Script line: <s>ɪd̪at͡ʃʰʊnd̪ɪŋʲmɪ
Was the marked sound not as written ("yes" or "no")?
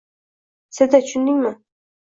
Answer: no